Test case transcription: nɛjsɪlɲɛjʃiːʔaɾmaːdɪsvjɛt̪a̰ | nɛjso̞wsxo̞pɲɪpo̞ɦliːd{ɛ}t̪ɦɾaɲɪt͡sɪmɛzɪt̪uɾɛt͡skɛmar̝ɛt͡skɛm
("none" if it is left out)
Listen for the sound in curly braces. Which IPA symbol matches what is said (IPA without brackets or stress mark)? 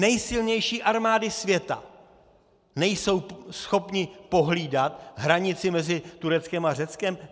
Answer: a